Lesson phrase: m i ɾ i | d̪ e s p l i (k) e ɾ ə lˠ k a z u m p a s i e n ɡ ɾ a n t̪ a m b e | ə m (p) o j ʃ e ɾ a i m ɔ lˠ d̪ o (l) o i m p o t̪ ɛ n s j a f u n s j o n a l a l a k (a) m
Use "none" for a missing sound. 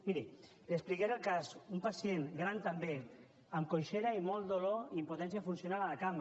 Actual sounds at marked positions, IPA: k, k, l, a

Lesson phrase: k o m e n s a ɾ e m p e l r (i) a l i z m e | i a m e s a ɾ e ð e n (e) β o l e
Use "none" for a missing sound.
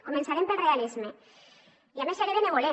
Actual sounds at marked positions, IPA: e, e

